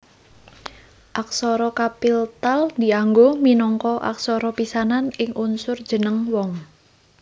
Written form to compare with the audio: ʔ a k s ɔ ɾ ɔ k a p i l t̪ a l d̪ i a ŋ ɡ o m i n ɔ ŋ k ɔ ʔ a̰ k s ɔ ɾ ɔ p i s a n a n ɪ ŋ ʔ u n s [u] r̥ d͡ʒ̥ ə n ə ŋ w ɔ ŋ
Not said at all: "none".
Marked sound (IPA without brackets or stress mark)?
ʊ